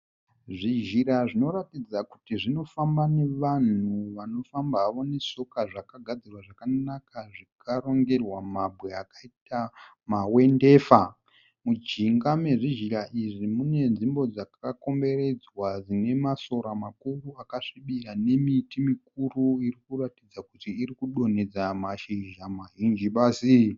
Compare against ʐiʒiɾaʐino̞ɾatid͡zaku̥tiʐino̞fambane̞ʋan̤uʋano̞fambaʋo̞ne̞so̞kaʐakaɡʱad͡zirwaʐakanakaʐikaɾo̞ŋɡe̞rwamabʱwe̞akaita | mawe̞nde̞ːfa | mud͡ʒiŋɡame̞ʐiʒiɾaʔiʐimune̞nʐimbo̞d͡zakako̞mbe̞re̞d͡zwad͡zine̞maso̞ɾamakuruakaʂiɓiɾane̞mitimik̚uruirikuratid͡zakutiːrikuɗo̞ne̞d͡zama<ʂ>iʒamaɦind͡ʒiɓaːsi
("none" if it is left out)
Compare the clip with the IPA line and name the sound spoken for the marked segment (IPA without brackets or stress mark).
ʃ